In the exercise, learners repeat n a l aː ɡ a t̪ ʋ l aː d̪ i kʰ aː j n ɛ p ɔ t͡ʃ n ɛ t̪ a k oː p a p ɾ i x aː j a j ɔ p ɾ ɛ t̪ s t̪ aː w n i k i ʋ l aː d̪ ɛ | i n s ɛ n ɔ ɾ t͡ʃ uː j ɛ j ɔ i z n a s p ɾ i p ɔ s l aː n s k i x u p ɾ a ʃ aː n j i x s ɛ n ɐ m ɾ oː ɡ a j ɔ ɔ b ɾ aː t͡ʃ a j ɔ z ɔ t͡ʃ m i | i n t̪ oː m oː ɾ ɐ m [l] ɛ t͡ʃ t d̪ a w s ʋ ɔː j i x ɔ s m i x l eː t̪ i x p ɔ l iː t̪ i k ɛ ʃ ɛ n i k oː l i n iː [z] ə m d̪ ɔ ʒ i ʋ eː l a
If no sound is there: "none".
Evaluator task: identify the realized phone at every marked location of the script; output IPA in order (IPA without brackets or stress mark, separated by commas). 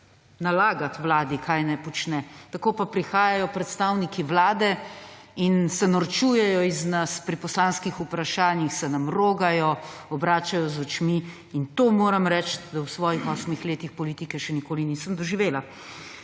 ɾ, s